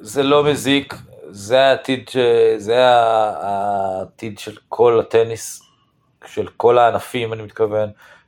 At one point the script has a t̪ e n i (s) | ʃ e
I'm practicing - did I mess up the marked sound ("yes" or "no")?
no